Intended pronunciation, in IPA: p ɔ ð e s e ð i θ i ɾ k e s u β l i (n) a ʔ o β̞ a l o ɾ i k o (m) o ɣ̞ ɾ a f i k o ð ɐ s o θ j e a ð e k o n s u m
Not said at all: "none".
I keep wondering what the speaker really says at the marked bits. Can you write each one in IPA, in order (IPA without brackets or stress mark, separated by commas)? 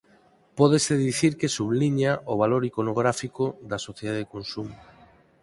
ɲ, n